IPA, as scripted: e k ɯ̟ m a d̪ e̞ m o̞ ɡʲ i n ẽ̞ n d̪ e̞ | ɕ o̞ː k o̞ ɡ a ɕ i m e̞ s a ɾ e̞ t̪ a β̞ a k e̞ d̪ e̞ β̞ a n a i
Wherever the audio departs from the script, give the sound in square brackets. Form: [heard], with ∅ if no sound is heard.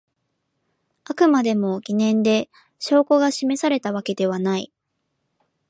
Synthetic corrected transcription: [a] k ɯ̟ m a d̪ e̞ m o̞ ɡʲ i n ẽ̞ n d̪ e̞ | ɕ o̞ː k o̞ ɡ a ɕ i m e̞ s a ɾ e̞ t̪ a β̞ a k e̞ d̪ e̞ β̞ a n a i